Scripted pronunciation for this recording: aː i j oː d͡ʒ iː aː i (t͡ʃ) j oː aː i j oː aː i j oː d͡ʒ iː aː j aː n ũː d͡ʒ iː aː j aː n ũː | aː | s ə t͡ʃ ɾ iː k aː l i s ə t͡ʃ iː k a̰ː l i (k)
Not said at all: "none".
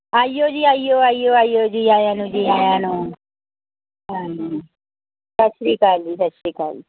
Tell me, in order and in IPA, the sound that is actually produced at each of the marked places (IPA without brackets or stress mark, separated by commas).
none, none